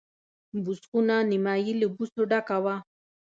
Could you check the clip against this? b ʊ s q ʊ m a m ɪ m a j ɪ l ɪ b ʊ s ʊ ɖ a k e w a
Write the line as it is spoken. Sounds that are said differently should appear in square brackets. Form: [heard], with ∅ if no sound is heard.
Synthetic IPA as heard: b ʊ s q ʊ [n] a [n] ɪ m a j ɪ l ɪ b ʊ s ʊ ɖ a k [a] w a